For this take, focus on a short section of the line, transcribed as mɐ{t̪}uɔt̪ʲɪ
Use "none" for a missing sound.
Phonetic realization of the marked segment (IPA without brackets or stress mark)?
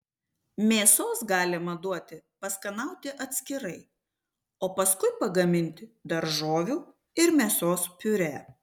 d̪